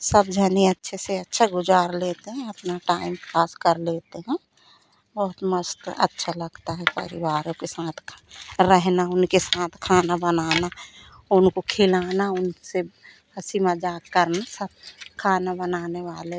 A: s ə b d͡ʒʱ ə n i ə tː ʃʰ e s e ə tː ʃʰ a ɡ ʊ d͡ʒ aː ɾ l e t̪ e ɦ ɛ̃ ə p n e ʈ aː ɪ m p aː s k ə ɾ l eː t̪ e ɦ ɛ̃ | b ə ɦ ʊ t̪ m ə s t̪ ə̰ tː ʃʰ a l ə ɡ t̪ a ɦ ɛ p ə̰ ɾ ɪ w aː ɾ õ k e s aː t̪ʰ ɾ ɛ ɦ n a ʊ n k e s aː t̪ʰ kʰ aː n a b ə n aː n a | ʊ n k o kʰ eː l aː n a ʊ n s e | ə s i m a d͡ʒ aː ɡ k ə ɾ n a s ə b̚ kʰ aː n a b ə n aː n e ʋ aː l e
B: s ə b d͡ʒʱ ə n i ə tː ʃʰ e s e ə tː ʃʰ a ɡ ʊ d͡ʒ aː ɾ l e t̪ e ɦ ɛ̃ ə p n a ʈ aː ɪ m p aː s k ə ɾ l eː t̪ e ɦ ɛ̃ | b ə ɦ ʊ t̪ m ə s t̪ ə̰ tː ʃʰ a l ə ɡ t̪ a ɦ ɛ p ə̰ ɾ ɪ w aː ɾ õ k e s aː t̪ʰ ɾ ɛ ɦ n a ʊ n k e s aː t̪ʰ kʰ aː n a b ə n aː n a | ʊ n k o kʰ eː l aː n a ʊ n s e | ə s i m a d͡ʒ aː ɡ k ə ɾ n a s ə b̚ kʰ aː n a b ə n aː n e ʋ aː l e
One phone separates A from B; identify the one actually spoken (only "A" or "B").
B